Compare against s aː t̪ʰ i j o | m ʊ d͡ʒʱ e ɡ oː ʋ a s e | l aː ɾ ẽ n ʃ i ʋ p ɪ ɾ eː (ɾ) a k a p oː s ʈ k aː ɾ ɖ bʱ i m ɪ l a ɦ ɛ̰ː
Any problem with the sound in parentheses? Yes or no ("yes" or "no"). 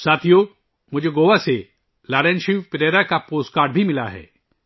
no